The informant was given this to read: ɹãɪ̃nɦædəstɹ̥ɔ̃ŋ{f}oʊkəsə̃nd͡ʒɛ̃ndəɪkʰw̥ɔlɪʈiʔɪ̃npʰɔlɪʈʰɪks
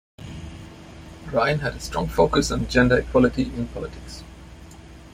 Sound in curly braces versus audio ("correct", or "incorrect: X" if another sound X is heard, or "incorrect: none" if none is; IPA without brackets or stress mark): correct